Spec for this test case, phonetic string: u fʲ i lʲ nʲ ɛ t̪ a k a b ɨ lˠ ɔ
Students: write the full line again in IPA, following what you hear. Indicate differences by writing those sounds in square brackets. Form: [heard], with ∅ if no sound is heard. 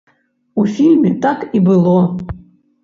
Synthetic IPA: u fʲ i lʲ [mʲ] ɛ t̪ a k [i] b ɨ lˠ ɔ

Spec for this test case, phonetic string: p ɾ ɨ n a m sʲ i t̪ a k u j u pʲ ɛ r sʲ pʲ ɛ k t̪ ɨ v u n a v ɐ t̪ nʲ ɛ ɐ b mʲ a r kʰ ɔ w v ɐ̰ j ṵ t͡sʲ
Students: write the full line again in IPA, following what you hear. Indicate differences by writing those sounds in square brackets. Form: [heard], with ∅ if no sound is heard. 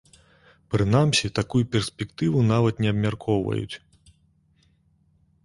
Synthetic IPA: p ɾ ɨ n a m sʲ i t̪ a k u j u pʲ ɛ r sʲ pʲ ɛ k t̪ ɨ v u n a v ɐ t̪ nʲ ɛ ɐ b mʲ a r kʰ ɔ w v ɐ̰ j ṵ t͡sʲ

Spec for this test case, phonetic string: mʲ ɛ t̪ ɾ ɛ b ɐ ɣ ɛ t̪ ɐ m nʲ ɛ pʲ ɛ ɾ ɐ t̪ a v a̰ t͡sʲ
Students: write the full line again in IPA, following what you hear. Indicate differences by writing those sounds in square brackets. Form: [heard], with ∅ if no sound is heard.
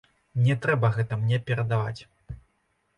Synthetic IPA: [nʲ] ɛ t̪ ɾ ɛ b ɐ ɣ ɛ t̪ ɐ m nʲ ɛ pʲ ɛ ɾ ɐ [d̪] a v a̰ t͡sʲ

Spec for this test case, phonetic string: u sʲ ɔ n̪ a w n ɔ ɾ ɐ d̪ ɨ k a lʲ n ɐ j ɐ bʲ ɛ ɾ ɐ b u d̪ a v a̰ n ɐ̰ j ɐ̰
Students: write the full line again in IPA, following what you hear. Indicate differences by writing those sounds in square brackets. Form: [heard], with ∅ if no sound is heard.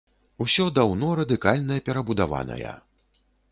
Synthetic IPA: u sʲ ɔ [d̪] a w n ɔ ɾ ɐ d̪ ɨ k a lʲ n ɐ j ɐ [pʲ] ɛ ɾ ɐ b u d̪ a v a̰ n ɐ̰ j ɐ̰

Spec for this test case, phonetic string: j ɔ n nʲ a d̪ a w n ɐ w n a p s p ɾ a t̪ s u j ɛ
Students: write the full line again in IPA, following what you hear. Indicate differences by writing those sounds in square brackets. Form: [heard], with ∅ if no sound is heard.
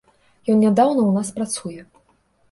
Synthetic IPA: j ɔ n nʲ a d̪ a w n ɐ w n a [∅] s p ɾ a t̪ s u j ɛ

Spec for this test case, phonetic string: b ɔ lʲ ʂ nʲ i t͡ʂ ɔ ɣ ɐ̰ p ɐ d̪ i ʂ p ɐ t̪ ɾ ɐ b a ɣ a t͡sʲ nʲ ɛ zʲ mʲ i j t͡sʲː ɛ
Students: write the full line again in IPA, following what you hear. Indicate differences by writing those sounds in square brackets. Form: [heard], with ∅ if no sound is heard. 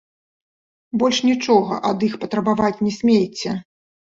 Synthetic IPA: b ɔ lʲ ʂ nʲ i t͡ʂ ɔ ɣ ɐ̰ [ʔ] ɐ d̪ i [x] p ɐ t̪ ɾ ɐ b a [v] a t͡sʲ nʲ ɛ [sʲ] mʲ [e] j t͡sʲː ɛ

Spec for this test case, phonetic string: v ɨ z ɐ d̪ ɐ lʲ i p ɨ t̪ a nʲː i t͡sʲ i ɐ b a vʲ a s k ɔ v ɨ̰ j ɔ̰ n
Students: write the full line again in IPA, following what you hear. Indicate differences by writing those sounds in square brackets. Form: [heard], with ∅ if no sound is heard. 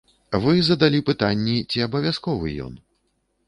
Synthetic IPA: v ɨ z ɐ d̪ [a] lʲ i p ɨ t̪ a nʲː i t͡sʲ i ɐ b [ɐ] vʲ a s k ɔ v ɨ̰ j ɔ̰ n

